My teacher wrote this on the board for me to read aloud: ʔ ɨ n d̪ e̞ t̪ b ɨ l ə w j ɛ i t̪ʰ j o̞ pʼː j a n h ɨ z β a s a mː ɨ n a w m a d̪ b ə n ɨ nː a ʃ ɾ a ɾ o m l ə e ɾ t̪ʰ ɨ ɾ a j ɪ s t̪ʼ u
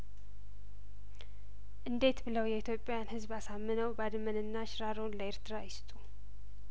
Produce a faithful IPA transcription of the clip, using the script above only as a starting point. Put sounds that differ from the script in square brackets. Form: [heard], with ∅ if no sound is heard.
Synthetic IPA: ʔ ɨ n d̪ e̞ t̪ b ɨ l ə w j ɛ i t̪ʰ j o̞ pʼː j a n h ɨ z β a s a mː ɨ n [ə] w [b] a d̪ [m] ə n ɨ nː a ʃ ɾ a ɾ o [n] l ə e ɾ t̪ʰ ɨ ɾ a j ɪ s t̪ʼ u